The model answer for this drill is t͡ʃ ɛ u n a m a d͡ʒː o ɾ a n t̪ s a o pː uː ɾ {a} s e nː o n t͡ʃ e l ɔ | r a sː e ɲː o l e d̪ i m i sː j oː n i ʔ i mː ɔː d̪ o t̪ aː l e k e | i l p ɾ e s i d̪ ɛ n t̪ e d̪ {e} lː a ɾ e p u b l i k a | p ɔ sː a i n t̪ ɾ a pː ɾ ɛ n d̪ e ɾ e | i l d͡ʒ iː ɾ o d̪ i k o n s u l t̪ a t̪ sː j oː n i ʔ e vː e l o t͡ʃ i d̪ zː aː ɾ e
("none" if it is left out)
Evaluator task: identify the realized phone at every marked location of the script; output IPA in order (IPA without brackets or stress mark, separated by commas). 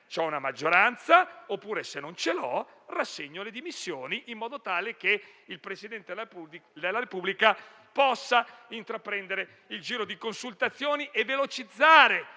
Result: e, e